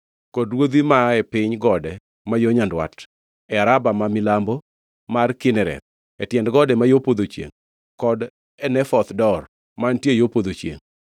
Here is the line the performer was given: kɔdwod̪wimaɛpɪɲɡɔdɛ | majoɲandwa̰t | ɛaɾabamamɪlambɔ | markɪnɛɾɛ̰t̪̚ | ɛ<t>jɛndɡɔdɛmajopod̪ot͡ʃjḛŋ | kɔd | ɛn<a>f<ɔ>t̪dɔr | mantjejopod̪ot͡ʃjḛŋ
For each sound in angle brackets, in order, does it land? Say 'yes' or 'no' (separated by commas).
yes, no, yes